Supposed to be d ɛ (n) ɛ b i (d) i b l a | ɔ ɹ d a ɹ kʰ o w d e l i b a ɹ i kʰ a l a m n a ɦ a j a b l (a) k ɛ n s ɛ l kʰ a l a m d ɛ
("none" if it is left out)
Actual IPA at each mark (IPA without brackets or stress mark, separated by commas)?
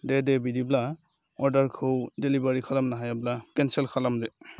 d, d, a